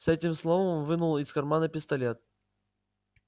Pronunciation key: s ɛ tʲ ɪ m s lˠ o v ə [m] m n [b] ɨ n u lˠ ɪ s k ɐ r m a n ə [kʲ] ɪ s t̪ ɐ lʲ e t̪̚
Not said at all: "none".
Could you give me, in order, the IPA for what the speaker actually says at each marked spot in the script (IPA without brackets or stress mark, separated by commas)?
m, v, pʲ